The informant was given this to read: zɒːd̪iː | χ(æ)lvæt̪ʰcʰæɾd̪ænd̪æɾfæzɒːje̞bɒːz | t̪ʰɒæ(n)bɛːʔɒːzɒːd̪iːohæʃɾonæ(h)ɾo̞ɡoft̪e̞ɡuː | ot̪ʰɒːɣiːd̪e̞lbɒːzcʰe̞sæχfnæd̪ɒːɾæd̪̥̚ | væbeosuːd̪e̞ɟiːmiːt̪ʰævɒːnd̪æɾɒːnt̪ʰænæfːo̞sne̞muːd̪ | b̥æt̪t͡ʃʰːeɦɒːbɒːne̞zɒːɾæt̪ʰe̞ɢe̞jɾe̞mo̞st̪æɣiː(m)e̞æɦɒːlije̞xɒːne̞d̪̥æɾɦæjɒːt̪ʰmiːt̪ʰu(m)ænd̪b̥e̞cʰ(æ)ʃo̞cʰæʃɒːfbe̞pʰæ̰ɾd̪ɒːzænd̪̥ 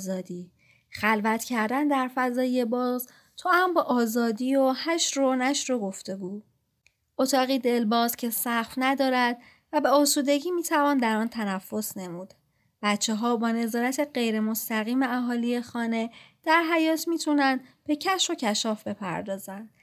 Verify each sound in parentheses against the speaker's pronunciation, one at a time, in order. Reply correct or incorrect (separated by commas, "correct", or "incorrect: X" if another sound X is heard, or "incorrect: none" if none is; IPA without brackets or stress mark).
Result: correct, incorrect: m, incorrect: ʃ, correct, incorrect: n, correct